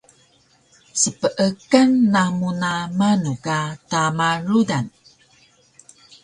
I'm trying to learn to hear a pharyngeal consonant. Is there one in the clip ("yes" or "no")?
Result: no